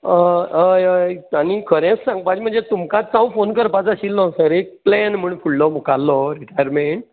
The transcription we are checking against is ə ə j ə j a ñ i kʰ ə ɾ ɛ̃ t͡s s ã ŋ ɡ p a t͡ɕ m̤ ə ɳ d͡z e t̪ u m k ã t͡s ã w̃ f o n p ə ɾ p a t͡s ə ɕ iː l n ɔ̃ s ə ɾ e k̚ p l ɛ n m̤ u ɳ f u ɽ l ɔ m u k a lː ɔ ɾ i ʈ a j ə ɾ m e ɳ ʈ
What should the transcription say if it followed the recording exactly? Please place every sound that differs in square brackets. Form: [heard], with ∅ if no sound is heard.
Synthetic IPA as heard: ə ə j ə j a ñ i kʰ ə ɾ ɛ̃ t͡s s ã ŋ ɡ p a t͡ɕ m̤ ə ɳ d͡z e t̪ u m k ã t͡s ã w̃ f o n [k] ə ɾ p a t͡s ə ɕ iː l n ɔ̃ s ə ɾ e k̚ p l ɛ n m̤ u ɳ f u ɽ l ɔ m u k a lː ɔ ɾ i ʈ a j ə ɾ m e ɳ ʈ